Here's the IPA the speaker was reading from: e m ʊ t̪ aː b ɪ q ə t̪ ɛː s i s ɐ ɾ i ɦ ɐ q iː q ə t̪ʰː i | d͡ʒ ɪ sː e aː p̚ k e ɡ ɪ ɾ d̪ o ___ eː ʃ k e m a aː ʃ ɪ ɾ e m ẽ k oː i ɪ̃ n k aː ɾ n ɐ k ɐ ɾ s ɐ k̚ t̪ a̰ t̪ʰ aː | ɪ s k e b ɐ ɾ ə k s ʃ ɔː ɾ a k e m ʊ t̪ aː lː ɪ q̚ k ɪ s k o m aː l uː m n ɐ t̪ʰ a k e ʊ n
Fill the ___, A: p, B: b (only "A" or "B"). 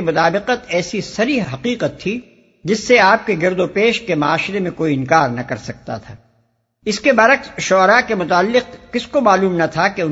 A